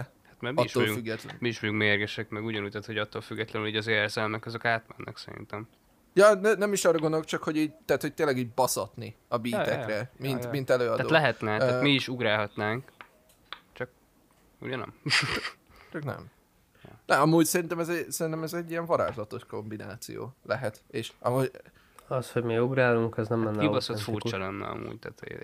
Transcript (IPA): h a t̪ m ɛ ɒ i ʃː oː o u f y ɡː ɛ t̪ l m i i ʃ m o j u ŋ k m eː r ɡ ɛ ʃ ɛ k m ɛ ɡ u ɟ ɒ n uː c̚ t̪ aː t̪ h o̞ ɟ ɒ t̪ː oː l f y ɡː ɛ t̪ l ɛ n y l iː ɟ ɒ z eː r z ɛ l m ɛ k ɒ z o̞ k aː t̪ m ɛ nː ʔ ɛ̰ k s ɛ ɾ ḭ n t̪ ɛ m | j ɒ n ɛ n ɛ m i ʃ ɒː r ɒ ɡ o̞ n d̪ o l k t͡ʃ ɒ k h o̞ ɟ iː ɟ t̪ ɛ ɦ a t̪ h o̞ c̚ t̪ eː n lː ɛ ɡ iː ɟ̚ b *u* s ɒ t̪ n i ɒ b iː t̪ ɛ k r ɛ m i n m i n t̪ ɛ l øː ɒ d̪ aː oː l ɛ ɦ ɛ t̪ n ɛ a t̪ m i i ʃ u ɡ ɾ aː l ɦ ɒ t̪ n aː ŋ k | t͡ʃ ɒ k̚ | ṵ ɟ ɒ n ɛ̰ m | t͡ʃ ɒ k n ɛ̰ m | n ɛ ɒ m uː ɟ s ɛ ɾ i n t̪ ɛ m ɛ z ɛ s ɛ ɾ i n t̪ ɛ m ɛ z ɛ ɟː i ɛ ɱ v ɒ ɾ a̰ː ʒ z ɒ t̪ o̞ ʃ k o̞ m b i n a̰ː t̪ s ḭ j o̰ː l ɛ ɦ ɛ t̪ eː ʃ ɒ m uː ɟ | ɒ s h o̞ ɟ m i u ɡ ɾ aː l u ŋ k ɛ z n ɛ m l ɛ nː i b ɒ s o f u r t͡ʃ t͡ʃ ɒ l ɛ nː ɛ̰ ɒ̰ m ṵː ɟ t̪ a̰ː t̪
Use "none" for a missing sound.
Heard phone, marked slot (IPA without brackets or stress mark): ɒ